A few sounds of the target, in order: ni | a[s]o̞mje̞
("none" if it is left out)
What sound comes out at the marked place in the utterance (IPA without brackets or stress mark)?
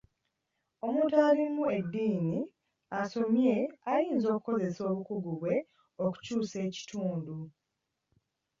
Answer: s